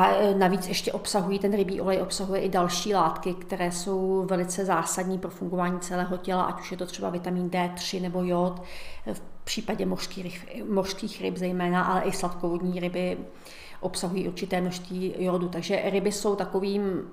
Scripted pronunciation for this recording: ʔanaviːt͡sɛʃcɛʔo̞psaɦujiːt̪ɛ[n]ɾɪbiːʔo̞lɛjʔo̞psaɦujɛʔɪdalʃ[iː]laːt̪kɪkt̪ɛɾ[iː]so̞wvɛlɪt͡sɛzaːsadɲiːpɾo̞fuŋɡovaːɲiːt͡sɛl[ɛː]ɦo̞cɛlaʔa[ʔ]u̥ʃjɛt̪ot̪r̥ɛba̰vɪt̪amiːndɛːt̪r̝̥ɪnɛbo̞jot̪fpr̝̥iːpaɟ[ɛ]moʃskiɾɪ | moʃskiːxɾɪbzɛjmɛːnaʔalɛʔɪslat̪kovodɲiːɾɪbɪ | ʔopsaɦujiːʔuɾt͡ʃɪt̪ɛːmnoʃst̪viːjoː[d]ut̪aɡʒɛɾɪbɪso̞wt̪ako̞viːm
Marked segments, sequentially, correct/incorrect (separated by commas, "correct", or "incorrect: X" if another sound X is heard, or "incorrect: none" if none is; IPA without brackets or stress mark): correct, correct, incorrect: ɛː, correct, incorrect: c, correct, correct